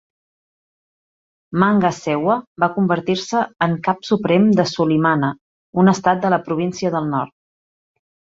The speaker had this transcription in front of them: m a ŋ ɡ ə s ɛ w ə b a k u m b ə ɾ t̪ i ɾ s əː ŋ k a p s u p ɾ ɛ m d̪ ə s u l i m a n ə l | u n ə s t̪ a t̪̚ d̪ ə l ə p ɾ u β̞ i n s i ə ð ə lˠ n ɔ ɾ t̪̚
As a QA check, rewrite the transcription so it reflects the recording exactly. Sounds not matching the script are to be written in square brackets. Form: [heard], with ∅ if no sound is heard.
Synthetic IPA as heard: m a ŋ ɡ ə s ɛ w ə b a k u m b ə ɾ t̪ i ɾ s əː ŋ k a p s u p ɾ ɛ m d̪ ə s u l i m a n ə [∅] | u n ə s t̪ a t̪̚ d̪ ə l ə p ɾ u β̞ i n s i ə ð ə lˠ n ɔ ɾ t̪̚

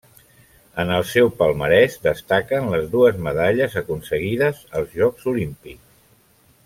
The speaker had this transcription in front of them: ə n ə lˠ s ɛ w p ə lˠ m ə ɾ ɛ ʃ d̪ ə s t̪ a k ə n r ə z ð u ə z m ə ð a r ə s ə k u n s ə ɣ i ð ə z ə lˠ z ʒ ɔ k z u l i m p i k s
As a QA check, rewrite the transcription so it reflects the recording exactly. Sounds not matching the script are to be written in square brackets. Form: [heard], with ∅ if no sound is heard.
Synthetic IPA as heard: ə n ə lˠ s ɛ w p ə lˠ m ə ɾ ɛ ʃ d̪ ə s t̪ a k ə n [l] ə z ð u ə z m ə ð a [ʎ] ə [z] ə k u n s ə ɣ i ð ə z ə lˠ z ʒ ɔ k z u l i m p i k s

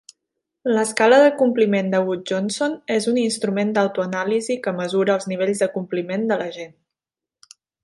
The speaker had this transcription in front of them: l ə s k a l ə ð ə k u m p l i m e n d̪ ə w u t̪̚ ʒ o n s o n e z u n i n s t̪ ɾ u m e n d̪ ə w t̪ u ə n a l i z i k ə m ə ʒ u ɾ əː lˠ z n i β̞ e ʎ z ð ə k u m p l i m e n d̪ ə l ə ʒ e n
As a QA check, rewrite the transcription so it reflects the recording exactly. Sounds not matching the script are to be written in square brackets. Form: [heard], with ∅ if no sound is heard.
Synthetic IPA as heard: l ə s k a l ə ð ə k u m p l i m e n d̪ ə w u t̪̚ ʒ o n s o n e z u n i n s t̪ ɾ u m e n d̪ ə w t̪ u ə n a l i z i k ə m ə [z] u ɾ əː lˠ z n i β̞ e ʎ z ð ə k u m p l i m e n d̪ ə l ə ʒ e n

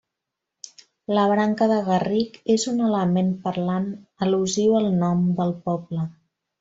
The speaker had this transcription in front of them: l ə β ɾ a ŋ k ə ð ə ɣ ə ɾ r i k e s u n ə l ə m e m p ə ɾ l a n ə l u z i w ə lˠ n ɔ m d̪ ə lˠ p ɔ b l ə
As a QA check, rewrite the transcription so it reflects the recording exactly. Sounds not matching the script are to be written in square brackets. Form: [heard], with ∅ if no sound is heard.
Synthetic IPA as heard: l ə β ɾ a ŋ k ə ð ə ɣ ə [∅] r i k e [z] u n ə l ə m e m p ə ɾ l a n ə l u z i w ə lˠ n ɔ m d̪ ə lˠ p ɔ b l ə

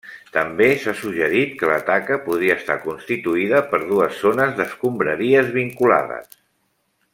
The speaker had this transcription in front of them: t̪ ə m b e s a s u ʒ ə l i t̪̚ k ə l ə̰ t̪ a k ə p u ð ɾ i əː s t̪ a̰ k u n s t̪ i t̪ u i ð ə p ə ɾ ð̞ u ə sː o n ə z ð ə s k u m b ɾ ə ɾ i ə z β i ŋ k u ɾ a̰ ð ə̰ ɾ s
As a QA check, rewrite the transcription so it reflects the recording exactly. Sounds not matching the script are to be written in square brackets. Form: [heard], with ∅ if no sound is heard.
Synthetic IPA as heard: t̪ ə m b e s a s u ʒ ə [ɾ] i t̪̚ k ə l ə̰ t̪ a k ə p u ð ɾ i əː s t̪ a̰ k u n s t̪ i t̪ u i ð ə p ə ɾ ð̞ u ə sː o n ə z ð ə s k u m b ɾ ə ɾ i ə z β i ŋ k u [l] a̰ ð ə̰ [∅] s

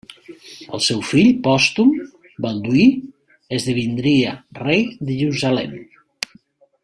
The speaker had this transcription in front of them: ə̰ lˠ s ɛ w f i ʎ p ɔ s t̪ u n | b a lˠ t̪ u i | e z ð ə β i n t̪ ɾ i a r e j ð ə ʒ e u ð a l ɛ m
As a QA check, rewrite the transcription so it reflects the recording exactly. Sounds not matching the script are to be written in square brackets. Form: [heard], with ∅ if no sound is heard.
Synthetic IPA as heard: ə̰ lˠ s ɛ w f i ʎ p ɔ s t̪ u [m] | b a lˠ [d̪] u i | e z ð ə β i n [d̪] ɾ i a r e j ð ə ʒ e u [z] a l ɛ m

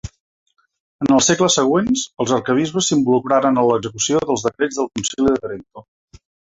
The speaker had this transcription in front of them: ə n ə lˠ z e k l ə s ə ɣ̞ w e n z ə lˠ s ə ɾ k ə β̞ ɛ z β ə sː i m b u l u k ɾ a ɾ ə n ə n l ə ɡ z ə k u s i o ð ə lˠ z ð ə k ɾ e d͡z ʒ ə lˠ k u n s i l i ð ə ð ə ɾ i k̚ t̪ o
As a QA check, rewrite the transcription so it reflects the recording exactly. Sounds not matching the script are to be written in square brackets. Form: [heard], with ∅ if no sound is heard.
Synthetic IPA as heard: ə n ə lˠ [s] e k l ə s ə ɣ̞ w e n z ə lˠ [z] ə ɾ k ə β̞ [i] z β ə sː i m b u l u k ɾ a ɾ ə n ə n l ə ɡ z ə k u s i o ð ə lˠ z ð ə k ɾ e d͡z [ð] ə lˠ k u n s i l i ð ə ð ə ɾ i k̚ t̪ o

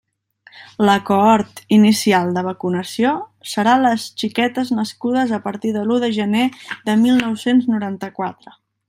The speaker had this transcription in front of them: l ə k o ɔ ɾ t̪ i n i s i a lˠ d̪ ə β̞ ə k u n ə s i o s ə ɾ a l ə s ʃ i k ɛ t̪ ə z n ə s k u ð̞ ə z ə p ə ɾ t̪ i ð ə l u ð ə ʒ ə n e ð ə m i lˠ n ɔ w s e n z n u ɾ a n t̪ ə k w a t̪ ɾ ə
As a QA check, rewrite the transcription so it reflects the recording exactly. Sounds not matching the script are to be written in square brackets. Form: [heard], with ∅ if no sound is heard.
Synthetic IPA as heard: l ə k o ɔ ɾ t̪ i n i s i a lˠ d̪ ə β̞ ə k u n ə s i o s ə ɾ a l ə s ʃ i k ɛ t̪ ə z n ə s k u ð̞ ə z ə p ə ɾ t̪ i ð ə l u ð ə ʒ ə n e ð ə m i lˠ n ɔ w s e n z n u ɾ a n t̪ ə k w a t̪ ɾ ə

